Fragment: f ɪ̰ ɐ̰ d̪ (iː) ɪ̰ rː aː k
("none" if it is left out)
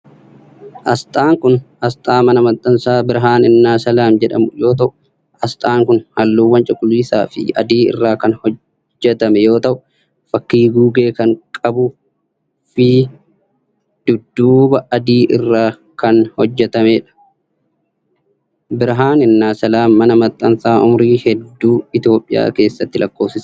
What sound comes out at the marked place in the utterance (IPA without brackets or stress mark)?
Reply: iː